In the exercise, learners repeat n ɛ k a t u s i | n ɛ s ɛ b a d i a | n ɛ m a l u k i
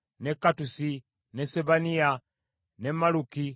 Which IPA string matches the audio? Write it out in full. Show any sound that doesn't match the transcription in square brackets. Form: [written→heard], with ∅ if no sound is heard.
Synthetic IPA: n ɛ k a t u s i | n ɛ s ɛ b a [d→n] i a | n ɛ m a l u k i